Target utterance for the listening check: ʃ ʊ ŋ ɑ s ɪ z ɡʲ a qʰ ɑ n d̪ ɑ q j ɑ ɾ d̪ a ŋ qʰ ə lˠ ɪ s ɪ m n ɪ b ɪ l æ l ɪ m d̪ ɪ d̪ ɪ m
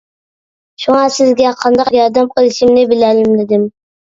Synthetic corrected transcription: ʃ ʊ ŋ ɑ s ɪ z ɡʲ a qʰ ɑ n d̪ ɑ q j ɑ ɾ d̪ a m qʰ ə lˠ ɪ ʃ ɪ m n ɪ b ɪ l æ l ɪ m d̪ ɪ d̪ ɪ m